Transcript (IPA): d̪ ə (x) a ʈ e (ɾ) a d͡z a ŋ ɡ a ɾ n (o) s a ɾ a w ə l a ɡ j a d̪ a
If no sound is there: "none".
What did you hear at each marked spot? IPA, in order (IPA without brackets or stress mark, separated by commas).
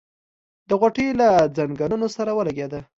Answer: ɣ, l, o